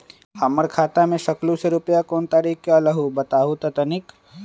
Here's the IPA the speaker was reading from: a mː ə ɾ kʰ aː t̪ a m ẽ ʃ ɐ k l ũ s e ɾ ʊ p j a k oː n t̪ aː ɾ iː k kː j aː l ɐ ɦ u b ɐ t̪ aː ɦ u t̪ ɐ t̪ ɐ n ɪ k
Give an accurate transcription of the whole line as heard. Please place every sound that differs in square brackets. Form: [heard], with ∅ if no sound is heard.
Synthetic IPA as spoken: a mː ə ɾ kʰ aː t̪ a m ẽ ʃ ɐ k l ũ s e ɾ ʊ p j a k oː n t̪ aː ɾ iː k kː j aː l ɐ ɦ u b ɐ t̪ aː ɦ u t̪ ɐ t̪ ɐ n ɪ k